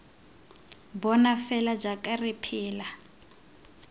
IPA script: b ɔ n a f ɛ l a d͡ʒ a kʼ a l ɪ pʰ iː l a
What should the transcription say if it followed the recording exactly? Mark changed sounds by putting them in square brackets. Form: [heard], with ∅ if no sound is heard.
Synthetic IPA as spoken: b ɔ n a f ɛ l a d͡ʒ a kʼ a [r] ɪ pʰ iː l a